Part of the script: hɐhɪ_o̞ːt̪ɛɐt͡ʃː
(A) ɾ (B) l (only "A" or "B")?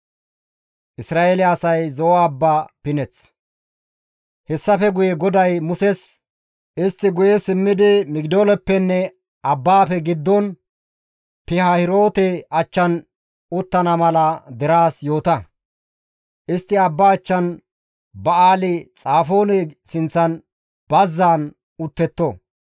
A